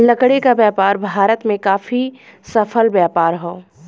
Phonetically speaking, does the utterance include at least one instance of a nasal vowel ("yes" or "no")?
yes